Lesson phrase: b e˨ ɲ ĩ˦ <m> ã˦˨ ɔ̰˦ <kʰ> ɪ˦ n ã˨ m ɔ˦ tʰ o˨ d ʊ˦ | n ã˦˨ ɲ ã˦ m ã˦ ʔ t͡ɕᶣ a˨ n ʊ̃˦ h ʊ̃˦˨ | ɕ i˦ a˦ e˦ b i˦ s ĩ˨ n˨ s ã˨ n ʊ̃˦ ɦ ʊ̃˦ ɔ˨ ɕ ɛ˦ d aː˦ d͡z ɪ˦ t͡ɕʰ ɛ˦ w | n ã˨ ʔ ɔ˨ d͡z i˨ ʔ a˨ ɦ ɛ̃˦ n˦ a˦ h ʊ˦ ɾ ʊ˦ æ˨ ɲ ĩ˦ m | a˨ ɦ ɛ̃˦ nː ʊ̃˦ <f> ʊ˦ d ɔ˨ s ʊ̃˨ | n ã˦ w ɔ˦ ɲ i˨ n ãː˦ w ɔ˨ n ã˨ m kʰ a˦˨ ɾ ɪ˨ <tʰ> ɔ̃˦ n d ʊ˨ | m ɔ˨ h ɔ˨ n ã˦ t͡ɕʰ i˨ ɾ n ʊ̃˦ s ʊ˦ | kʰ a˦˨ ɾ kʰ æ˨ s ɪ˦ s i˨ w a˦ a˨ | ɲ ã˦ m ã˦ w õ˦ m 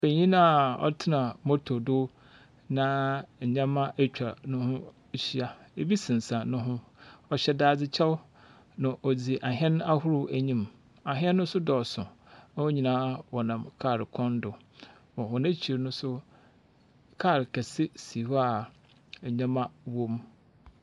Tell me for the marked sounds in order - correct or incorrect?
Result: incorrect: n, incorrect: tʰ, incorrect: s, incorrect: kʰ

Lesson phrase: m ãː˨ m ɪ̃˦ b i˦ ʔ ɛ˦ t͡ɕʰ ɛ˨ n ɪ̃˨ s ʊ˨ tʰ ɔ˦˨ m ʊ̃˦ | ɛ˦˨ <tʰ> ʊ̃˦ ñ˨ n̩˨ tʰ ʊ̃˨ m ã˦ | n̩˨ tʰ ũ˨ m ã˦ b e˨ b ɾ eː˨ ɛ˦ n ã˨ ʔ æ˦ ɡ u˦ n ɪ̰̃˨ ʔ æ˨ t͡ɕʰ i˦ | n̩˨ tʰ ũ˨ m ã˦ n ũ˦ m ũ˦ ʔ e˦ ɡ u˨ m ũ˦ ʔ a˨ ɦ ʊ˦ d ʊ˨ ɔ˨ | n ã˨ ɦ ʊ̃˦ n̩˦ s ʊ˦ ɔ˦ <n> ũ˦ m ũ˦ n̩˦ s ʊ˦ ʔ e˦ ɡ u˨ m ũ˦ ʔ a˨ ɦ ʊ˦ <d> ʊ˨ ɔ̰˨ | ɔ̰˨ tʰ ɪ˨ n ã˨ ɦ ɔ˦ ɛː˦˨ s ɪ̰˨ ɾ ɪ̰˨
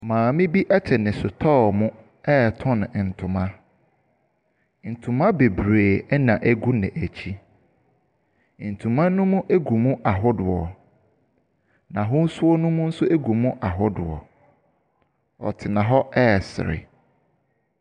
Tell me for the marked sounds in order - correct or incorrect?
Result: correct, correct, correct

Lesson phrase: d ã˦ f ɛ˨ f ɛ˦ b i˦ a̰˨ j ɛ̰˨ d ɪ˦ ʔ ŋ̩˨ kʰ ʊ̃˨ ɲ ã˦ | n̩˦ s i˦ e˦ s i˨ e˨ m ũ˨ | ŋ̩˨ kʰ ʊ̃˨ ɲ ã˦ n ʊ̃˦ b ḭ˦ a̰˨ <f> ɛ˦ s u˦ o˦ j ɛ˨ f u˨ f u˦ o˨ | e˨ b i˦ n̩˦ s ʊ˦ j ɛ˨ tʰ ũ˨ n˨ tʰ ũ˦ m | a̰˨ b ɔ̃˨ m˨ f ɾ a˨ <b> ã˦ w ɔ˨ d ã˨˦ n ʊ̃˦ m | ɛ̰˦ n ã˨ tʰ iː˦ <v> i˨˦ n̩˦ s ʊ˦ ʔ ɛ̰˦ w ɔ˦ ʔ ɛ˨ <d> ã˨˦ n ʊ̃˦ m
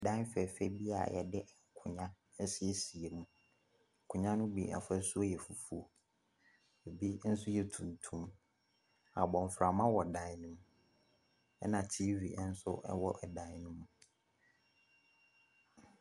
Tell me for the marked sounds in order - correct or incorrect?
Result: correct, incorrect: m, correct, correct

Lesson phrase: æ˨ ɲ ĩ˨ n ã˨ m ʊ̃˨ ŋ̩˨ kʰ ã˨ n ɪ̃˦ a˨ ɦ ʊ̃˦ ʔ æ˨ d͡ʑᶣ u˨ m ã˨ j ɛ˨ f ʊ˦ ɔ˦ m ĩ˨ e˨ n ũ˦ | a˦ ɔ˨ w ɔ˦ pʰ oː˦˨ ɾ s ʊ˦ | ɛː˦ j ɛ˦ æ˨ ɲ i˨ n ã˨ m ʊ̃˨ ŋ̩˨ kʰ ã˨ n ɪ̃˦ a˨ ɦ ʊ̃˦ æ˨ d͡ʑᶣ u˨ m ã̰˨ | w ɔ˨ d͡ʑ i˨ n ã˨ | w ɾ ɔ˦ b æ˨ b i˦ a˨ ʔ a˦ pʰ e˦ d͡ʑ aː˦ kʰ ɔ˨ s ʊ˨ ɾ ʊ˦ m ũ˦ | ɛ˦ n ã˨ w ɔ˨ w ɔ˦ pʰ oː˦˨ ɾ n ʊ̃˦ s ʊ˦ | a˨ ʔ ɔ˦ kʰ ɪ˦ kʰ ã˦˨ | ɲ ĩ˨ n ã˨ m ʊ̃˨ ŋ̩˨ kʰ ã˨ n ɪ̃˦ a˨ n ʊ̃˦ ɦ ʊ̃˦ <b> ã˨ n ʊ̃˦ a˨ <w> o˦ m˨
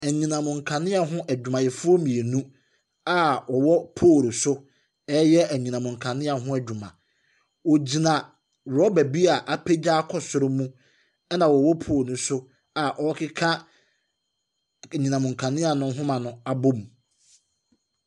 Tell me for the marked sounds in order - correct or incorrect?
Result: incorrect: m, incorrect: b

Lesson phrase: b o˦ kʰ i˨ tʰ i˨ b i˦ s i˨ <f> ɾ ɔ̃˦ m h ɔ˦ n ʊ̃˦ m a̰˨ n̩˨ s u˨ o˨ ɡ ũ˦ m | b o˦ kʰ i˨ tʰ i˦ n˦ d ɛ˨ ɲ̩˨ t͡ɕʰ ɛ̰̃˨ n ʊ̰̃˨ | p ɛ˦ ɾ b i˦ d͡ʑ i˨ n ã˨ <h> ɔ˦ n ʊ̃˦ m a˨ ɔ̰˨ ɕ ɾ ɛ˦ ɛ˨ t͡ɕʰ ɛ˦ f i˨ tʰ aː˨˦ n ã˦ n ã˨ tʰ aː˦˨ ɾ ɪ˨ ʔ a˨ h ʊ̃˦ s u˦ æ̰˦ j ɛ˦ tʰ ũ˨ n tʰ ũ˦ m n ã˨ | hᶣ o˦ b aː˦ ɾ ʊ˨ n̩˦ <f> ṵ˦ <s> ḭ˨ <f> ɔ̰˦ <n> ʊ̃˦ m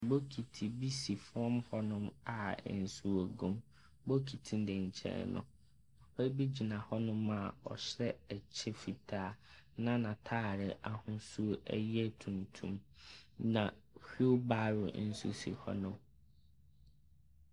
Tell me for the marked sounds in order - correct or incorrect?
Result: correct, correct, incorrect: s, correct, incorrect: h, correct

